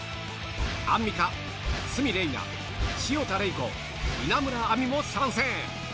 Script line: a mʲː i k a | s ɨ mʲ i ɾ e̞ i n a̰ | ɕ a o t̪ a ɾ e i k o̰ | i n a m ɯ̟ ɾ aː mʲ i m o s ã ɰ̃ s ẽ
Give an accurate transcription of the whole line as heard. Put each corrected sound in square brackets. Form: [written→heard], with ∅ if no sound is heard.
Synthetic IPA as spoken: a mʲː i k a | s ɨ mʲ i ɾ e̞ i n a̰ | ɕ [a→i] o t̪ a ɾ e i k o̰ | i n a m ɯ̟ ɾ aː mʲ i m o s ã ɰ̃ s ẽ